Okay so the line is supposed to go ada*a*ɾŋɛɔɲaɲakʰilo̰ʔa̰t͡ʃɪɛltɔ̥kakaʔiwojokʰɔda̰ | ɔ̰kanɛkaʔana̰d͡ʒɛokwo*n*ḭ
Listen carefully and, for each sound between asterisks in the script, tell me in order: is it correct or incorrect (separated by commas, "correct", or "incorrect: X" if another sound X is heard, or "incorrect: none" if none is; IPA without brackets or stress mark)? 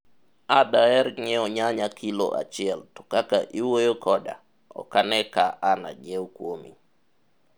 incorrect: ɛ, incorrect: m